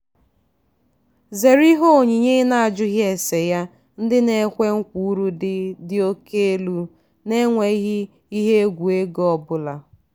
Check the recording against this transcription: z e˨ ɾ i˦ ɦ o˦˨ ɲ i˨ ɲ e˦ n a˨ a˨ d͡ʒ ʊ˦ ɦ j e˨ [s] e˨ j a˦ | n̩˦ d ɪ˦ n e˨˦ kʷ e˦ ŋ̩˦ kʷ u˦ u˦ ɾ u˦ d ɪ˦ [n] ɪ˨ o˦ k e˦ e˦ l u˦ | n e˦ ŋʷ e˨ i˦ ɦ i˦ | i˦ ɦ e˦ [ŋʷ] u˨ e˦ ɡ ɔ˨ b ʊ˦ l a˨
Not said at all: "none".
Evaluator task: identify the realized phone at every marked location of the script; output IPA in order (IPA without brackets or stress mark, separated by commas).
s, d, ɡʷ